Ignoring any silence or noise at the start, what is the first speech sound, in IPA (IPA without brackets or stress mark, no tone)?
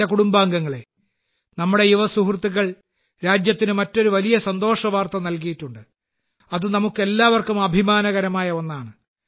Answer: ɐ